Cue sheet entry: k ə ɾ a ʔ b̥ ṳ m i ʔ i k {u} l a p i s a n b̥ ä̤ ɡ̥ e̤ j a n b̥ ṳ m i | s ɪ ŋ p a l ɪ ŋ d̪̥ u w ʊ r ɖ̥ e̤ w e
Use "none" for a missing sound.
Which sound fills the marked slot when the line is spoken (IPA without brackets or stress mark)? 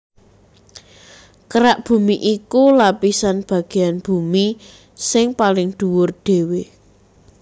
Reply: u